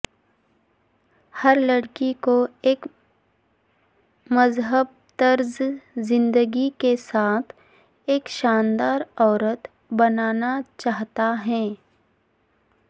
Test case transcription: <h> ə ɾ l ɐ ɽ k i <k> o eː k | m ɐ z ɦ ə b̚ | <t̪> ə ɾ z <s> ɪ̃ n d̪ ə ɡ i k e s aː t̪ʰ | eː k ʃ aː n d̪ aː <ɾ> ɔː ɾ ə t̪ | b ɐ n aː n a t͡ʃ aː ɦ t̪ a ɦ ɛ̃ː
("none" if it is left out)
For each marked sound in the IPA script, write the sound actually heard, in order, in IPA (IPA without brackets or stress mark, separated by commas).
h, k, t̪, z, ɾ